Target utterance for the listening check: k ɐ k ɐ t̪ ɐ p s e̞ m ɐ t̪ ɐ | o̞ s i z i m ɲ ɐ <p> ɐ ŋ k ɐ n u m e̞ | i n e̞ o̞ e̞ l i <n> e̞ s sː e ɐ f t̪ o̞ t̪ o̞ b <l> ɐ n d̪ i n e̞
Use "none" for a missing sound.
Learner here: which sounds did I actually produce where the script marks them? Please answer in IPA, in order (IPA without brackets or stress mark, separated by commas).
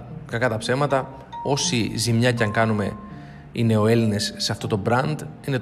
c, n, ɾ